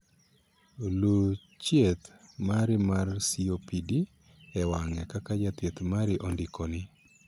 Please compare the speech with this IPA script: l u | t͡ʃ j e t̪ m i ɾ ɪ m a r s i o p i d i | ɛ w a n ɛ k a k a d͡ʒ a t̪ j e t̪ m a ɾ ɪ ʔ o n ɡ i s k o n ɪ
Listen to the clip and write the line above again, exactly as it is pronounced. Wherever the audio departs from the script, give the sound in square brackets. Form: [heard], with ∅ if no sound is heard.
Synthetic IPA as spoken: l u | t͡ʃ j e t̪ m [a] ɾ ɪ m a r s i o p i d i | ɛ w a [ŋ] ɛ k a k a d͡ʒ a t̪ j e t̪ m a ɾ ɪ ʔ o n [d] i [∅] k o n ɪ